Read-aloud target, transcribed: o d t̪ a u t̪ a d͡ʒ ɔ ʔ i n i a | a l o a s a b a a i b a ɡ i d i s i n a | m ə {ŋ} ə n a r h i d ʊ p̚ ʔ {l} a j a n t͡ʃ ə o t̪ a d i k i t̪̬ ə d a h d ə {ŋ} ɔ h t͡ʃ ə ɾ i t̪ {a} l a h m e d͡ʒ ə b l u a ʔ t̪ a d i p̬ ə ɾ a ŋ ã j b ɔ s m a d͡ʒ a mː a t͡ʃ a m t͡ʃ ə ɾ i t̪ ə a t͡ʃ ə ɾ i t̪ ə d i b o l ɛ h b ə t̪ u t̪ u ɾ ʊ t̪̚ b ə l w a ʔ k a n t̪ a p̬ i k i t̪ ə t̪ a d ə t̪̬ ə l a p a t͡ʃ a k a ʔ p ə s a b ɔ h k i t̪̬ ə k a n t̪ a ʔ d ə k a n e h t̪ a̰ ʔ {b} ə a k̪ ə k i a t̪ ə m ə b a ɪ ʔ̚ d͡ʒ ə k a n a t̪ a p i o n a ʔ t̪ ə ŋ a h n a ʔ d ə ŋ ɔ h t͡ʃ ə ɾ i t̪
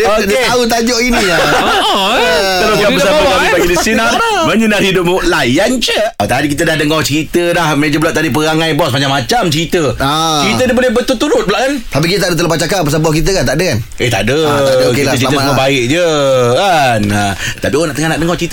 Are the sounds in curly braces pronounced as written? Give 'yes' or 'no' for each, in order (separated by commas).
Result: no, yes, yes, no, no